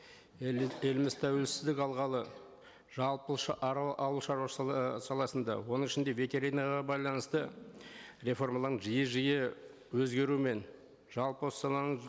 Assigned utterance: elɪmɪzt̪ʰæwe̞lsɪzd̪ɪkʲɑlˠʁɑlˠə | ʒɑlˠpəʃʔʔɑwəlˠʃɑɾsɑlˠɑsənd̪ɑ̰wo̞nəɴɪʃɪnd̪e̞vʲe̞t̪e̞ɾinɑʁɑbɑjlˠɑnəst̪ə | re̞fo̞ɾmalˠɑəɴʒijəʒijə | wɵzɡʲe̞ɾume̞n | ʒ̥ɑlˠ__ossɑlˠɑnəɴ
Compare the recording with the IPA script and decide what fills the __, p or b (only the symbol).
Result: p